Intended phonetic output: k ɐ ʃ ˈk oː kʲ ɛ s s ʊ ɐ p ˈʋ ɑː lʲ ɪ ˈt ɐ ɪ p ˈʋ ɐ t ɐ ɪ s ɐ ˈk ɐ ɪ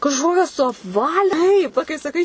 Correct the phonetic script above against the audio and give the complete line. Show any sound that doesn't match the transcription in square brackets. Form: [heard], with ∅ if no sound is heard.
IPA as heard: k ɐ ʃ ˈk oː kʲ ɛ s s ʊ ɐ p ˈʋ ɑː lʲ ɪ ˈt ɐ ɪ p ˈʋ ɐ [k] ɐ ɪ s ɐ ˈk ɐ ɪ

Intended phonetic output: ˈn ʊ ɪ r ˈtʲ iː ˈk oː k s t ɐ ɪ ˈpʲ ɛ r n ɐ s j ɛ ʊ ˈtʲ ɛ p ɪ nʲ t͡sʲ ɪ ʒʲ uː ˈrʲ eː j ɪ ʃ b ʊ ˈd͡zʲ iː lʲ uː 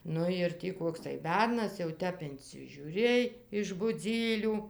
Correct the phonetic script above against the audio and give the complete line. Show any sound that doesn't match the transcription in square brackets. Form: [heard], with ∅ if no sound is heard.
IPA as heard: ˈn ʊ ɪ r ˈtʲ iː ˈk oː k s t ɐ ɪ [ˈbʲ] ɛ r n ɐ s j ɛ ʊ ˈtʲ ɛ p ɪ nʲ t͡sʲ ɪ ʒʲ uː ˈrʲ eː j ɪ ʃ b ʊ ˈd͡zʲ iː lʲ uː

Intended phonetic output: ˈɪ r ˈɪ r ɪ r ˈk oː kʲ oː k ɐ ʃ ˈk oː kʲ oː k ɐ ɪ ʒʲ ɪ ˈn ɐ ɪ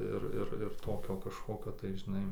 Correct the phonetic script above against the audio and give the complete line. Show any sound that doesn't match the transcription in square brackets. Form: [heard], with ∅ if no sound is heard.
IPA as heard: ˈɪ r ˈɪ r ɪ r [ˈt] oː kʲ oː k ɐ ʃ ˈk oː kʲ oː [t] ɐ ɪ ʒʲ ɪ ˈn ɐ ɪ

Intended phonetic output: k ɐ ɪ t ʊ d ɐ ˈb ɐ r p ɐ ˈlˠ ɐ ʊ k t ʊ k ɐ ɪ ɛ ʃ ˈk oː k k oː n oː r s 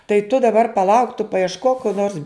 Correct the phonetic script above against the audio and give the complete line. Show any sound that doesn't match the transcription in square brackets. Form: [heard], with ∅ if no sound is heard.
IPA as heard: [t] ɐ ɪ t ʊ d ɐ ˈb ɐ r p ɐ ˈlˠ ɐ ʊ k t ʊ [p] ɐ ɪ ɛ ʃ ˈk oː k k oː n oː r s

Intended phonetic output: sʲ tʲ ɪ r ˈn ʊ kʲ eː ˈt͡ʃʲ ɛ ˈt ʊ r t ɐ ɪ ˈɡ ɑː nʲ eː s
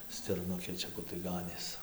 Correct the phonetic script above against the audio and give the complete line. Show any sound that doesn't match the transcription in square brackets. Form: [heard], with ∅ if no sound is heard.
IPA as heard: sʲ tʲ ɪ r ˈn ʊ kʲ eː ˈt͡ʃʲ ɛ [ˈk] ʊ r t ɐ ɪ ˈɡ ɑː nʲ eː s

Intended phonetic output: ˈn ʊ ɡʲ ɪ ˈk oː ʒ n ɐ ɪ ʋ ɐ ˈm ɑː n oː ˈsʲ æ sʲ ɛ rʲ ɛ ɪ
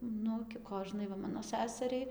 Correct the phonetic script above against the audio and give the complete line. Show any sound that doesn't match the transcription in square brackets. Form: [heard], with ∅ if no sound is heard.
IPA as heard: ˈn ʊ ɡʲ ɪ ˈk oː ʒ n ɐ ɪ ʋ ɐ ˈm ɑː n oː ˈsʲ æ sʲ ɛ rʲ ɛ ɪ

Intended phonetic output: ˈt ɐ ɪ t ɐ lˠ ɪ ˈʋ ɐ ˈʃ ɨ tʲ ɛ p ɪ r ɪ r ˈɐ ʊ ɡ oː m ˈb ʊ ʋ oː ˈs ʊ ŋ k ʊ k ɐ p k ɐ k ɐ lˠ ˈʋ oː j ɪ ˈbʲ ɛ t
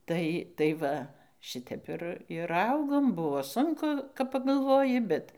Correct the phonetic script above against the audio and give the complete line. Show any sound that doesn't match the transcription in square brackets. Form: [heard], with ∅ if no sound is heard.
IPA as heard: ˈt ɐ ɪ t ɐ [∅] ɪ ˈʋ ɐ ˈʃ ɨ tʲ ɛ p ɪ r ɪ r ˈɐ ʊ ɡ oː m ˈb ʊ ʋ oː ˈs ʊ ŋ k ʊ k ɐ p [p] ɐ [ɡ] ɐ lˠ ˈʋ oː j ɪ ˈbʲ ɛ t

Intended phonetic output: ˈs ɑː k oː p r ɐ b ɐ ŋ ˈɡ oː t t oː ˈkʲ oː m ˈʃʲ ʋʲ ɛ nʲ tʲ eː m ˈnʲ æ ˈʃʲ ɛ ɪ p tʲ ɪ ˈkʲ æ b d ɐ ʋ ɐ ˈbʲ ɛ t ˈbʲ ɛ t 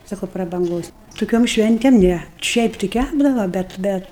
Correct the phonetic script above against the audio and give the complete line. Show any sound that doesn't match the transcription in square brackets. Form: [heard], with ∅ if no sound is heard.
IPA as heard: ˈs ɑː k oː p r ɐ b ɐ ŋ ˈɡ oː [s] t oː ˈkʲ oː m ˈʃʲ ʋʲ ɛ nʲ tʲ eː m ˈnʲ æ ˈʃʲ ɛ ɪ p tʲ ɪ ˈkʲ æ b d ɐ ʋ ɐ ˈbʲ ɛ t ˈbʲ ɛ t

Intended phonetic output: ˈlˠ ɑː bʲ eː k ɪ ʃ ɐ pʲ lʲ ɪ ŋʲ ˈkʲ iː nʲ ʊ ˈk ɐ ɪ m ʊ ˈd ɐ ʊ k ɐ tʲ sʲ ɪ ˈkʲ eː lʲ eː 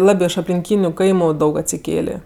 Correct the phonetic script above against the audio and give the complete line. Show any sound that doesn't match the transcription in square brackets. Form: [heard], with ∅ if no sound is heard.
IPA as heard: ˈlˠ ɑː bʲ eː [∅] ɪ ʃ ɐ pʲ lʲ ɪ ŋʲ ˈkʲ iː nʲ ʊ ˈk ɐ ɪ m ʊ ˈd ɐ ʊ k ɐ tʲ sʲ ɪ ˈkʲ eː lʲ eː

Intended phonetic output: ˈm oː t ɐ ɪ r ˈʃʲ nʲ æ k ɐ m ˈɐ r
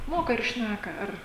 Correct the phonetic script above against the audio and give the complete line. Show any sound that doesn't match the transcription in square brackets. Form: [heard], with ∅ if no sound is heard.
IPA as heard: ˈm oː [k] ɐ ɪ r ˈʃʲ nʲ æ k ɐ [∅] ˈɐ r

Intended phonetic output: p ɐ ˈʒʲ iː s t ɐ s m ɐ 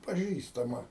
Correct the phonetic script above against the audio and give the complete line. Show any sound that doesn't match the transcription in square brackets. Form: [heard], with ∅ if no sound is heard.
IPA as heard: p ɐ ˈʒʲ iː s t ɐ [∅] m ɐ

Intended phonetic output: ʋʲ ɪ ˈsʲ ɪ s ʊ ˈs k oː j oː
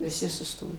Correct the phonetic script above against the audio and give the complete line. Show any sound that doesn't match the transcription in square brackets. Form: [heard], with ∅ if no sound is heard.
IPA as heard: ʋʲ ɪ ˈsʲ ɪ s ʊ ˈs [t] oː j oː

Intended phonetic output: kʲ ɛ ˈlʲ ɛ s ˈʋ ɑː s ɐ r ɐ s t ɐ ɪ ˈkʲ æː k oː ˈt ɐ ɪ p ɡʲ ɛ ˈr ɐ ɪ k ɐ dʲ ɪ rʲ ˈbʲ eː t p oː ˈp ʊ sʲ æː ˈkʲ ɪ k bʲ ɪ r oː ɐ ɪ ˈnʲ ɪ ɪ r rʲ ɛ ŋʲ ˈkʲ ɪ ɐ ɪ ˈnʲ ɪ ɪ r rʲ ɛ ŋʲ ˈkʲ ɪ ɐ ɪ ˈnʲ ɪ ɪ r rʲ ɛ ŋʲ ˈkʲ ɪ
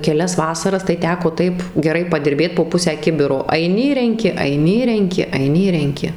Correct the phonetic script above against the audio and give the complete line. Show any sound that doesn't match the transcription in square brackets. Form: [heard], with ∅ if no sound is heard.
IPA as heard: kʲ ɛ ˈlʲ ɛ s ˈʋ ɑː s ɐ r ɐ s t ɐ ɪ [ˈtʲ] æː k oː ˈt ɐ ɪ p ɡʲ ɛ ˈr ɐ ɪ [p] ɐ dʲ ɪ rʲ ˈbʲ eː t p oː ˈp ʊ sʲ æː ˈkʲ ɪ [∅] bʲ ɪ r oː ɐ ɪ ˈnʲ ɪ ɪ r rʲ ɛ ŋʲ ˈkʲ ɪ ɐ ɪ ˈnʲ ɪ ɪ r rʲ ɛ ŋʲ ˈkʲ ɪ ɐ ɪ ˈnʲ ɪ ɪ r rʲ ɛ ŋʲ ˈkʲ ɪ

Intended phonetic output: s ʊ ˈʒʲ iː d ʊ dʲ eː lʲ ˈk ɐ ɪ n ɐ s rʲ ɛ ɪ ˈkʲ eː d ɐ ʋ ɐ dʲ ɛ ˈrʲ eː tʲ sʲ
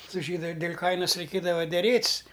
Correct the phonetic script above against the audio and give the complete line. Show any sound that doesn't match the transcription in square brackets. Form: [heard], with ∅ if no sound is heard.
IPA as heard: s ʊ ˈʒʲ iː d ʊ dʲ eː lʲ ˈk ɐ ɪ n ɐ s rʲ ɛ ɪ ˈkʲ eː d ɐ ʋ ɐ dʲ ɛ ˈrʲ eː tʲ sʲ

